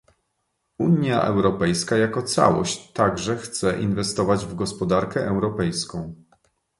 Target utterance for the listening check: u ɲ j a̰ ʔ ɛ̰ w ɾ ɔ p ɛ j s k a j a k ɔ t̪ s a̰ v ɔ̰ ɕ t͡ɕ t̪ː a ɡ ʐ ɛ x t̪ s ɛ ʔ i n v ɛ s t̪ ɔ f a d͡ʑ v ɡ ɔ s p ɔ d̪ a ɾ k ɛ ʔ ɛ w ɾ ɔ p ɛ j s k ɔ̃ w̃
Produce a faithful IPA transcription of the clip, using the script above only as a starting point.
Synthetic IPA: u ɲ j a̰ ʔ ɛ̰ w ɾ ɔ p ɛ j s k a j a k ɔ t̪ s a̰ w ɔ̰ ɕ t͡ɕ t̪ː a ɡ ʐ ɛ x t̪ s ɛ ʔ i n v ɛ s t̪ ɔ v a d͡ʑ v ɡ ɔ s p ɔ d̪ a ɾ k ɛ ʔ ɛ w ɾ ɔ p ɛ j s k ɔ̃ w̃